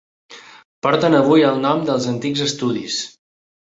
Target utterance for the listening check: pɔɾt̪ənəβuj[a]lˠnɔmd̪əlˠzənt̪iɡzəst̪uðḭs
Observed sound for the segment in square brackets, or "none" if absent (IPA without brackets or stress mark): ə